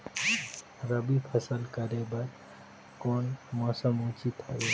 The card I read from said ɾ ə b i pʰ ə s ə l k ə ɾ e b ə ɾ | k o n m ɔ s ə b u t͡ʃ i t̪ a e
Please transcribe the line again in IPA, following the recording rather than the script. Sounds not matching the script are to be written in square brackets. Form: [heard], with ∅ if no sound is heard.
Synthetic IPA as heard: ɾ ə b i pʰ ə s ə l k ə ɾ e b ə ɾ | k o n m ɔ s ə [m] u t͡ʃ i t̪ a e